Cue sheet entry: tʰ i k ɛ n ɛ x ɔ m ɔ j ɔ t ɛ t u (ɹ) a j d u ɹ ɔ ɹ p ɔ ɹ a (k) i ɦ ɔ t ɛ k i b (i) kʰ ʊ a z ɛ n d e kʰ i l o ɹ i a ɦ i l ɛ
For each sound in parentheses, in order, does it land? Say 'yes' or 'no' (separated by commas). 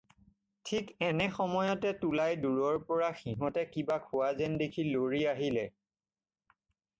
no, no, no